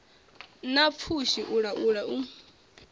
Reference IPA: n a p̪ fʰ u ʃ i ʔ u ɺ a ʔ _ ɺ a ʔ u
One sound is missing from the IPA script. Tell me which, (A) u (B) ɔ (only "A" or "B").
A